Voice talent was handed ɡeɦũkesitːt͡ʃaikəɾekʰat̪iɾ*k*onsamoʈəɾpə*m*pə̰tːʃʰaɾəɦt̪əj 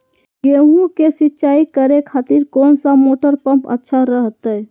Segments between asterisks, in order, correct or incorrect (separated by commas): correct, correct